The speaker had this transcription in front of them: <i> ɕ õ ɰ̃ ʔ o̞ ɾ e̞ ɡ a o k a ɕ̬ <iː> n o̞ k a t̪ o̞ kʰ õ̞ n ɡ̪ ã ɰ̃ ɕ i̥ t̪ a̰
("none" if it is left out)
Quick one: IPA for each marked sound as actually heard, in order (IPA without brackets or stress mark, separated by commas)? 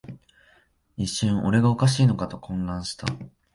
i, iː